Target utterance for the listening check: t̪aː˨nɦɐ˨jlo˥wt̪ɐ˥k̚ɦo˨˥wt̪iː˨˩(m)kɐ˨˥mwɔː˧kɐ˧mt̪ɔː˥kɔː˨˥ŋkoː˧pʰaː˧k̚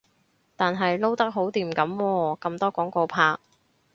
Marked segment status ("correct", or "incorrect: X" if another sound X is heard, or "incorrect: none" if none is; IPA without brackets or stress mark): correct